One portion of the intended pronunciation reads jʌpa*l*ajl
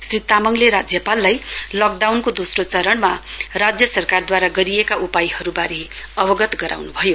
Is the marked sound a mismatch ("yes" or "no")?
yes